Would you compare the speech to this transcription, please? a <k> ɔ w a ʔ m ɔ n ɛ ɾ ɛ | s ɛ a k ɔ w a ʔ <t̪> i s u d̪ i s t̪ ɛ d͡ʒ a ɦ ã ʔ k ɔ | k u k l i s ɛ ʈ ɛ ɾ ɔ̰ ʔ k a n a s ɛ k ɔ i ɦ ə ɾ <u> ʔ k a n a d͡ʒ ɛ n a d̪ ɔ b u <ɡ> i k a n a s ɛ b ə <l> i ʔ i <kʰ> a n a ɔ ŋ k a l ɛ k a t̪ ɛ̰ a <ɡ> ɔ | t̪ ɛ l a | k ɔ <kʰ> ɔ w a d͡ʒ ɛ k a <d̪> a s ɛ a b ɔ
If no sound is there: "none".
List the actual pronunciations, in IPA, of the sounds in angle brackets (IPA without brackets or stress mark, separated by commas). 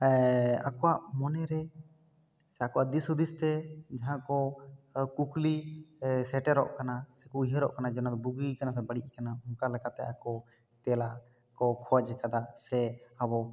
k, d̪, ɔ, ɡ, ɽ, k, k, kʰ, d̪